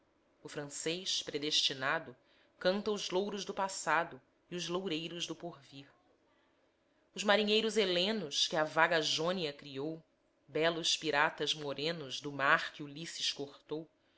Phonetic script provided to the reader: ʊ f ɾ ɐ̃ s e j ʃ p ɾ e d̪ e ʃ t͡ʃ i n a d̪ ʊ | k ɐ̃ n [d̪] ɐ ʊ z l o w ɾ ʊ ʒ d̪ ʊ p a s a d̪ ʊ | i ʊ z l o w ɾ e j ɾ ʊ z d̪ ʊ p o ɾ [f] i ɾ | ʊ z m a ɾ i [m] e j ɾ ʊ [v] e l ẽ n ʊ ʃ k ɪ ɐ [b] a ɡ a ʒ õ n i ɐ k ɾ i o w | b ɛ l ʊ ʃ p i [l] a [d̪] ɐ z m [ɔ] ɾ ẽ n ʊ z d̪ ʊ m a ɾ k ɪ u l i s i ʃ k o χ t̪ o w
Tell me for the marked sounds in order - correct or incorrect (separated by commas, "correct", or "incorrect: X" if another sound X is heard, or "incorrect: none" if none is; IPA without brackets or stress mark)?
incorrect: t̪, incorrect: v, incorrect: ɲ, incorrect: z, incorrect: v, incorrect: ɾ, incorrect: t̪, incorrect: o